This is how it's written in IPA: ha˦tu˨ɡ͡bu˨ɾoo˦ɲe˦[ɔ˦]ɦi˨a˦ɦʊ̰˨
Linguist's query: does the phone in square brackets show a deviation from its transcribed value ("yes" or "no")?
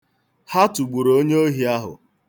yes